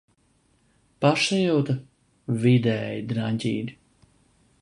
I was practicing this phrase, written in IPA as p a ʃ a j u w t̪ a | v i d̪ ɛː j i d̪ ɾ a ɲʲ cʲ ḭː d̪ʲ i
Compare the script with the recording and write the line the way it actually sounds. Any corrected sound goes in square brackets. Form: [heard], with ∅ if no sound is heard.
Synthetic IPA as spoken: p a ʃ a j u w t̪ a | v i d̪ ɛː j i d̪ ɾ a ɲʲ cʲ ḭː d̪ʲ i

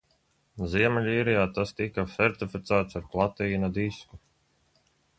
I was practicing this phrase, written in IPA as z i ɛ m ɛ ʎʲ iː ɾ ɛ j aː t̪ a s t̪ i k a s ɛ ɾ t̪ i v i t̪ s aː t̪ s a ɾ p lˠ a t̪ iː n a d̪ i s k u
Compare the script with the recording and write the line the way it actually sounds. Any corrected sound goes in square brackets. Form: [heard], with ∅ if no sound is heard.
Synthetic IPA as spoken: z i ɛ m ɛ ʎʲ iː ɾ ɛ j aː t̪ a s t̪ i k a s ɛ ɾ t̪ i [f] i t̪ s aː t̪ s a ɾ p lˠ a t̪ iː n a d̪ i s k u

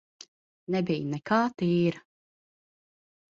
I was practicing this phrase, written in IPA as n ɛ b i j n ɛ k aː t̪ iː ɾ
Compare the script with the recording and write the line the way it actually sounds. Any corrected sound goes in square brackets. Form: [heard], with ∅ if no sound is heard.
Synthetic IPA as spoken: n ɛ b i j n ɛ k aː t̪ iː ɾ

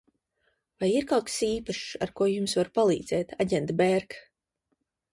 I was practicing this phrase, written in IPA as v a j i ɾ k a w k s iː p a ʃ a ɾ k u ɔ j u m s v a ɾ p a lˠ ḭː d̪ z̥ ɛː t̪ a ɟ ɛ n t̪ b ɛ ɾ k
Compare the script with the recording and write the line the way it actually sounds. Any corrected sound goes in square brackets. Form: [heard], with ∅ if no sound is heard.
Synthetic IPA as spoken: v a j i ɾ k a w k s iː p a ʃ a ɾ k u ɔ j u m s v a ɾ p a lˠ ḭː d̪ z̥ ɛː t̪ a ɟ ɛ n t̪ b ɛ ɾ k

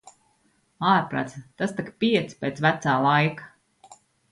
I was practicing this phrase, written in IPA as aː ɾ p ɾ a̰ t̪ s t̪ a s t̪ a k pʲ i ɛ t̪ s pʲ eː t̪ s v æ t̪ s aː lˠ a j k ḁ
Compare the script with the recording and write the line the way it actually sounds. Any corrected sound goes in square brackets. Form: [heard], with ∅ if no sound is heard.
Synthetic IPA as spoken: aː ɾ p ɾ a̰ t̪ s t̪ a s t̪ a k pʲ i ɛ t̪ s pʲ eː t̪ s v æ t̪ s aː lˠ a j k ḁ

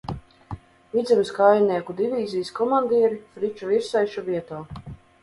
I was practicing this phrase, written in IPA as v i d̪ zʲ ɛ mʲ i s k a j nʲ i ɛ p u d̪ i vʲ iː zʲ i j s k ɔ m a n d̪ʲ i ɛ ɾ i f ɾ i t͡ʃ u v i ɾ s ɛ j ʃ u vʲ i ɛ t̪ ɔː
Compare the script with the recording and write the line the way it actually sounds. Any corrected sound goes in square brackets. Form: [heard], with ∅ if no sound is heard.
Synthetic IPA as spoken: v i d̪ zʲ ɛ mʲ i s k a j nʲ i ɛ [k] u d̪ i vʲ iː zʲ i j s k ɔ m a n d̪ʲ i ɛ ɾ i f ɾ i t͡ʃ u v i ɾ s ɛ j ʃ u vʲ i ɛ t̪ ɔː

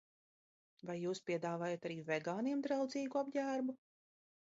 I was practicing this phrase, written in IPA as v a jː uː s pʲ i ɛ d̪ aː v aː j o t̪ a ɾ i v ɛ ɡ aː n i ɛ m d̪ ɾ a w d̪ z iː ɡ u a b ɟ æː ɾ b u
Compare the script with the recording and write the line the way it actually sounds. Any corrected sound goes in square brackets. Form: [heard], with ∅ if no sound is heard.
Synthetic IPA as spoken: v a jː uː s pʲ i ɛ d̪ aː v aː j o t̪ a ɾ [iː] v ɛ ɡ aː n i ɛ m d̪ ɾ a w d̪ z iː ɡ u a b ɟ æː ɾ b u

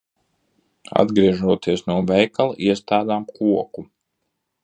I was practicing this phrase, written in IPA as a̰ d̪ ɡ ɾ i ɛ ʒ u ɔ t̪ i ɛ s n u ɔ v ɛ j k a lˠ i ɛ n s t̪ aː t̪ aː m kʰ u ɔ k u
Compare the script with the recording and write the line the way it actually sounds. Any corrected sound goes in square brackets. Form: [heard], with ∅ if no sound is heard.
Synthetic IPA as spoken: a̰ d̪ ɡ ɾ i ɛ ʒ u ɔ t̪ i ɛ s n u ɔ v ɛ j k a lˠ i ɛ [∅] s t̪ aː [d̪] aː m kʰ u ɔ k u

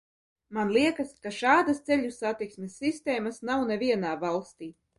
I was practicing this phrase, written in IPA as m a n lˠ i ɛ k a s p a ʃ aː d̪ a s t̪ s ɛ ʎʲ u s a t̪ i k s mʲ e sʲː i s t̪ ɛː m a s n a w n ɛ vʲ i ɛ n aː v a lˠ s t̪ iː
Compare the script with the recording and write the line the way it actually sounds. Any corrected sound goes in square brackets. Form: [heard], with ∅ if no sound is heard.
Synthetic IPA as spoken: m a n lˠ i ɛ k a s [k] a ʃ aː d̪ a s t̪ s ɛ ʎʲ u s a t̪ i k s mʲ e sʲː i s t̪ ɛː m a s n a w n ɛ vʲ i ɛ n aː v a lˠ s t̪ iː

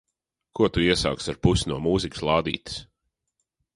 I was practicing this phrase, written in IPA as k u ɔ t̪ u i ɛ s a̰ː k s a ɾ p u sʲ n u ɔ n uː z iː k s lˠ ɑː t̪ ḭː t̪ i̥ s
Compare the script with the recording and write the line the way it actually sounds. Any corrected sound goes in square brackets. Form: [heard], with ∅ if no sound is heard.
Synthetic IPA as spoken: k u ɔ t̪ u i ɛ s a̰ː k s a ɾ p u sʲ n u ɔ [m] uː z [i] k s lˠ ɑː [d̪] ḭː t̪ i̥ s

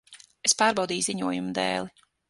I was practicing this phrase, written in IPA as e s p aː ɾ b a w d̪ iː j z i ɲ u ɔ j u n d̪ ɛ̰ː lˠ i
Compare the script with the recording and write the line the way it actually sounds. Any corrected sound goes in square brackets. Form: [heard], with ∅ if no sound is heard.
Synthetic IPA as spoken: e s p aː ɾ b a w d̪ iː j z i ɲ u ɔ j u [m] d̪ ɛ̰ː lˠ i

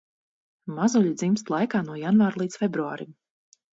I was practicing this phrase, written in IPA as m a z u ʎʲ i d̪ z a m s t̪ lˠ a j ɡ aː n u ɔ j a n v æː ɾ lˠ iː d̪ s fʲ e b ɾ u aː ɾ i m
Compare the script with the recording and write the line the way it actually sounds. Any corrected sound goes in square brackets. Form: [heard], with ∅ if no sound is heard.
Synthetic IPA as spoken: m a z u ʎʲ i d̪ z [i] m s t̪ lˠ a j [k] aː n u ɔ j a n v [aː] ɾ lˠ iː [t̪] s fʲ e b ɾ u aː ɾ i m

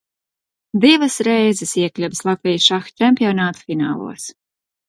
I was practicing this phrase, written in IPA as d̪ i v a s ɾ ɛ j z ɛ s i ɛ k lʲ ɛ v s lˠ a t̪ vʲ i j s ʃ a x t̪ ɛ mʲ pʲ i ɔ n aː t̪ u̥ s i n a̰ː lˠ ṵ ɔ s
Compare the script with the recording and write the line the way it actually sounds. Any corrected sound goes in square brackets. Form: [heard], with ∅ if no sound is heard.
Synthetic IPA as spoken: d̪ i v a s ɾ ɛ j z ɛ s i ɛ k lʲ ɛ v s lˠ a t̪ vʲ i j s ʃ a x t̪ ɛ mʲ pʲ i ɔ n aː t̪ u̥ [f] i n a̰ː lˠ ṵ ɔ s

